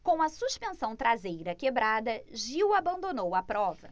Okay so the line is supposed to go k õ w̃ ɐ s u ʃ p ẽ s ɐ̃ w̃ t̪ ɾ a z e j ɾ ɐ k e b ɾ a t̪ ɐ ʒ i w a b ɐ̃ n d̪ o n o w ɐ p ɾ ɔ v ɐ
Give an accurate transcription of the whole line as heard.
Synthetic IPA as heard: k õ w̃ ɐ s u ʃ p ẽ s ɐ̃ w̃ t̪ ɾ a z e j ɾ ɐ k e b ɾ a d̪ ɐ ʒ i w a b ɐ̃ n d̪ o n o w ɐ p ɾ ɔ v ɐ